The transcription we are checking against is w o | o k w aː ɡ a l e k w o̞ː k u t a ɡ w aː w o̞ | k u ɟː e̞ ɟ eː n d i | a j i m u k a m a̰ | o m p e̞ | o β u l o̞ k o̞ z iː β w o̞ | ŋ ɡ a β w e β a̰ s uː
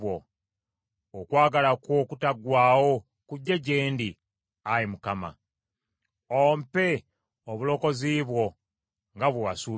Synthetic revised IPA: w o | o k w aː ɡ a l a k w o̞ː k u t a ɡ w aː w o̞ | k u ɟː e̞ ɟ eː n d i | a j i m u k a m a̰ | o m p e̞ | o β u l o̞ k o̞ z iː β w o̞ | ŋ ɡ a β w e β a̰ s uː